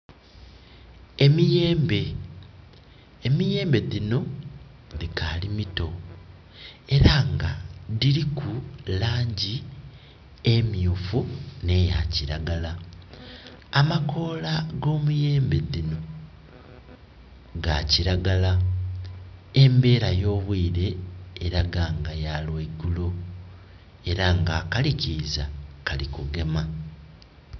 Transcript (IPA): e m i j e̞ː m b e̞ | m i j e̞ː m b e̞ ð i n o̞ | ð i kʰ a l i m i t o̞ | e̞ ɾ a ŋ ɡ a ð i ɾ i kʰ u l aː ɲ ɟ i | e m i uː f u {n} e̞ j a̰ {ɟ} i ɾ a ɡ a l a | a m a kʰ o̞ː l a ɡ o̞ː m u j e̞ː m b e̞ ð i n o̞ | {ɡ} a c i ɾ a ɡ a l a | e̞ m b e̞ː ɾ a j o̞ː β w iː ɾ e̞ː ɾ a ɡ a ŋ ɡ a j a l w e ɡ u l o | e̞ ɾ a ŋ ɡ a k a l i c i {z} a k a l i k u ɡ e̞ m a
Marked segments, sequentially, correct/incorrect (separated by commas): correct, incorrect, correct, correct